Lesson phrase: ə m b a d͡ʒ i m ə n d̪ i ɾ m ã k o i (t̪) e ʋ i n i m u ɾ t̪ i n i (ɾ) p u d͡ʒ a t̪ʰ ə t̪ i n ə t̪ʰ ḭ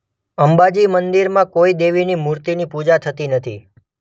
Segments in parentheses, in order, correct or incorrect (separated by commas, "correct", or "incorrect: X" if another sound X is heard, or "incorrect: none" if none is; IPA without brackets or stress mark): incorrect: d̪, incorrect: none